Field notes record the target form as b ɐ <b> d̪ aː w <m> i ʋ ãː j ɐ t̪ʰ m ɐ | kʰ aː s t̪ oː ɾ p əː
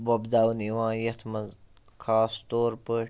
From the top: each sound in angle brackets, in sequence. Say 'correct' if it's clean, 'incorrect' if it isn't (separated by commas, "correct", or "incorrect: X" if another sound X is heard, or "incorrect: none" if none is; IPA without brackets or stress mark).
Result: correct, incorrect: n